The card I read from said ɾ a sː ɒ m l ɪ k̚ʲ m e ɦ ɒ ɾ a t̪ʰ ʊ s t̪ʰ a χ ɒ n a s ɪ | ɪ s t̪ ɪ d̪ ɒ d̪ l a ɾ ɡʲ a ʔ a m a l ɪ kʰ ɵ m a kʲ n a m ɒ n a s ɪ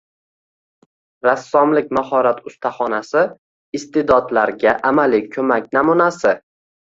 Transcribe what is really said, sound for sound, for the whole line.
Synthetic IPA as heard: ɾ a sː ɒ m l ɪ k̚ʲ m a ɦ ɒ ɾ a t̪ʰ ʊ s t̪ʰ a χ ɒ n a s ɪ | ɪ s t̪ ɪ d̪ ɒ d̪ l a ɾ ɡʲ a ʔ a m a l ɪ kʰ ɵ m a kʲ n a m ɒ n a s ɪ